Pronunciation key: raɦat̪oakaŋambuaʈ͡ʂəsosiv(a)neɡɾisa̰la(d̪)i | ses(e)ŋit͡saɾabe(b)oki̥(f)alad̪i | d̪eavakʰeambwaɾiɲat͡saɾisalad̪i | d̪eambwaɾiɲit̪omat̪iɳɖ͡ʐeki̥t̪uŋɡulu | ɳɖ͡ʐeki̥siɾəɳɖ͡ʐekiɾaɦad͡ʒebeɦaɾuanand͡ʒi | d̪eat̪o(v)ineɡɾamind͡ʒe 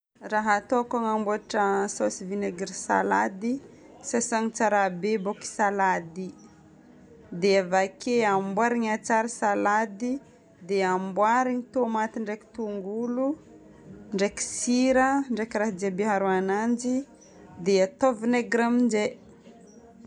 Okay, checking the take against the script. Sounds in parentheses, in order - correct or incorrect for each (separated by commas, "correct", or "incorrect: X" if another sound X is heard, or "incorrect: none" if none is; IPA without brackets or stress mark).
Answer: incorrect: i, correct, incorrect: a, correct, incorrect: s, correct